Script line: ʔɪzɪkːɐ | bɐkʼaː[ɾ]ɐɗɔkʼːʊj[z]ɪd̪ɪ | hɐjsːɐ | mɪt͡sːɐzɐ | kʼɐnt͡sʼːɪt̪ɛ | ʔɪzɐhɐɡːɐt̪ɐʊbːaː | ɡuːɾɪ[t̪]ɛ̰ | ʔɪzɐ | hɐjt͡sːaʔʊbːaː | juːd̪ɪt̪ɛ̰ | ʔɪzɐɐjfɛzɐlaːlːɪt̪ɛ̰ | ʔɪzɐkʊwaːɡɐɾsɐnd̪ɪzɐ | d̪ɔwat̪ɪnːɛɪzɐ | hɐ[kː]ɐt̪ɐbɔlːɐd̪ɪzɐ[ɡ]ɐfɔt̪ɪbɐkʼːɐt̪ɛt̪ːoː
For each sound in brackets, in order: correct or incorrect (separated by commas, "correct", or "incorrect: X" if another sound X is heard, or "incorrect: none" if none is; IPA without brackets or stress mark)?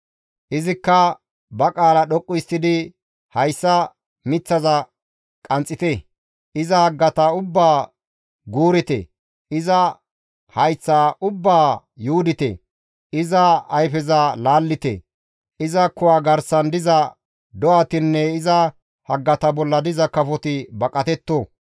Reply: incorrect: l, incorrect: s, correct, incorrect: ɡː, incorrect: k